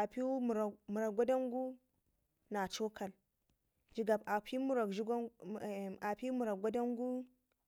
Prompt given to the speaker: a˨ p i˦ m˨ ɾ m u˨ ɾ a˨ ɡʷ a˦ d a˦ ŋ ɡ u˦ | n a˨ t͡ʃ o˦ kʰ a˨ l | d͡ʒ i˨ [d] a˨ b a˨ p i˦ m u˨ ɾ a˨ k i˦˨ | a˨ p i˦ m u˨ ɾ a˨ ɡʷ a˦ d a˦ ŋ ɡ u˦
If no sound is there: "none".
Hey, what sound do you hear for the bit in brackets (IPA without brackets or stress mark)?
ɡ